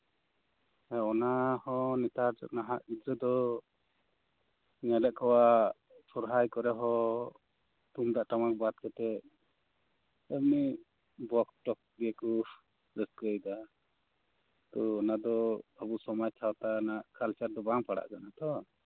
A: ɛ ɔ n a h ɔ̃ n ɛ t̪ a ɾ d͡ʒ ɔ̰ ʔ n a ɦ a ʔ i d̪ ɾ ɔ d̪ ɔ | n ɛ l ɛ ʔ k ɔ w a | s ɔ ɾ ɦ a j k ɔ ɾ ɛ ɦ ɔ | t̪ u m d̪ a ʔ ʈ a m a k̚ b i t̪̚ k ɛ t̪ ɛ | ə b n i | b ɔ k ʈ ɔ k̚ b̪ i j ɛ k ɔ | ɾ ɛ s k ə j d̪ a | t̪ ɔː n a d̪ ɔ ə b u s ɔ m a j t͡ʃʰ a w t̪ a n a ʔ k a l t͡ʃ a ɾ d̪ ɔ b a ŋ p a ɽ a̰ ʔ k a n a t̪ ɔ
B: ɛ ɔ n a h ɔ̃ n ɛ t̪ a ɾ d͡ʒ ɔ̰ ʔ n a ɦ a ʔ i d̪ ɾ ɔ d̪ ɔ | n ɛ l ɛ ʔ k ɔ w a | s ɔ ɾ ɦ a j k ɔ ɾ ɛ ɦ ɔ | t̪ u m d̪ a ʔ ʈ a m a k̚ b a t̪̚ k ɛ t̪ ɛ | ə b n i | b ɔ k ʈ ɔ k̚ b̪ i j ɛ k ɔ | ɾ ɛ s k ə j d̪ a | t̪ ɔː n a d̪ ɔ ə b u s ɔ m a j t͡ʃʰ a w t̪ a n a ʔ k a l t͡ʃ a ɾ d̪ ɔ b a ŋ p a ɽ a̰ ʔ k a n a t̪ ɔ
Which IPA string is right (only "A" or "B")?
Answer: B